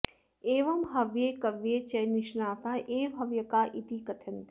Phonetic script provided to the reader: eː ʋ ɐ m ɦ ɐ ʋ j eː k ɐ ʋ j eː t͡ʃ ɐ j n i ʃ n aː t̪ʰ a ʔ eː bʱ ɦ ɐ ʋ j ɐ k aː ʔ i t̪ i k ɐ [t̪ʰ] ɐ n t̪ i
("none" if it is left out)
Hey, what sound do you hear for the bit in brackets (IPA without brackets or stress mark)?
t̪ʰ